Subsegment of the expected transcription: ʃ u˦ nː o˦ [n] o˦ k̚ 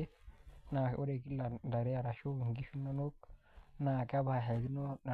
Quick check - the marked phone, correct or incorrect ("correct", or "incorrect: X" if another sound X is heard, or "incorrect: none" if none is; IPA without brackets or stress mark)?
correct